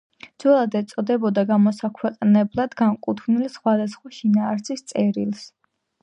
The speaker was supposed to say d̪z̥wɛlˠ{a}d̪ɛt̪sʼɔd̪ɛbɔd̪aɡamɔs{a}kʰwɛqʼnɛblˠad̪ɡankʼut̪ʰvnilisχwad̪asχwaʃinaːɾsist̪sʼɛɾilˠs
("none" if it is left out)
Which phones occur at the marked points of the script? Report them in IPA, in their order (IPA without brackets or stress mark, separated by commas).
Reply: a, a